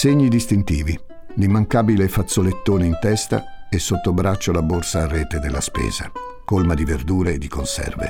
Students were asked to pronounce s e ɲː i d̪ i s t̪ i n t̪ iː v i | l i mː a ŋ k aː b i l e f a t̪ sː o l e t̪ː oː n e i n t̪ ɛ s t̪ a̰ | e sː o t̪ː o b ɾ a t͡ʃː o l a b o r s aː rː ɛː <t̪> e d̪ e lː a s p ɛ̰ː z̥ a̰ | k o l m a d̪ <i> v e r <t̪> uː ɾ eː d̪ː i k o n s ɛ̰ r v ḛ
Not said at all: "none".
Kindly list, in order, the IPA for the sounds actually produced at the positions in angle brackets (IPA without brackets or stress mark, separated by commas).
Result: t̪, i, d̪